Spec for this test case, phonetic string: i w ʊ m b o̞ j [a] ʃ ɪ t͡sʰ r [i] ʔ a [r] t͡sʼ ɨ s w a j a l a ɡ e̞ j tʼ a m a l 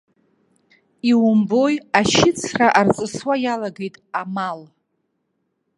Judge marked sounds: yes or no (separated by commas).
yes, no, yes